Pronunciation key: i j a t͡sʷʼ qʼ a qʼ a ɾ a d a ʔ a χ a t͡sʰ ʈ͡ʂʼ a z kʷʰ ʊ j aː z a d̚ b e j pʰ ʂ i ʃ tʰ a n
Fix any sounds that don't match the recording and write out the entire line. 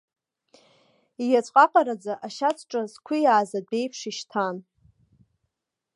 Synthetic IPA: i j a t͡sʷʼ qʼ a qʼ a ɾ a d͡z a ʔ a ʃ a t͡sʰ ʈ͡ʂʼ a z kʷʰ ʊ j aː z a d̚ b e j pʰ ʂ i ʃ tʰ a n

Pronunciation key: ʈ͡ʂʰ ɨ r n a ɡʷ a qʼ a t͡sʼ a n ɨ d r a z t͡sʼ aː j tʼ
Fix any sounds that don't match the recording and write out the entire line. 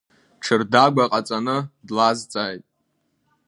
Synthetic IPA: ʈ͡ʂʰ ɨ r d a ɡʷ a qʼ a t͡sʼ a n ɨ d l a z t͡sʼ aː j tʼ

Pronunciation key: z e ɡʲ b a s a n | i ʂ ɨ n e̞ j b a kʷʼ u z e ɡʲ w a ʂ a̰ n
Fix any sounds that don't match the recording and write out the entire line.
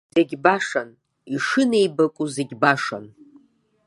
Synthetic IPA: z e ɡʲ b a ʂ a n | i ʂ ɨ n e̞ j b a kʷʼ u z e ɡʲ b a ʂ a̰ n

